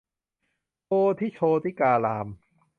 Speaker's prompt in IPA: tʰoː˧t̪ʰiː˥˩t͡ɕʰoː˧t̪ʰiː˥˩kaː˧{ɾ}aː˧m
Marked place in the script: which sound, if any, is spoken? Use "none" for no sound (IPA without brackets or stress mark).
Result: l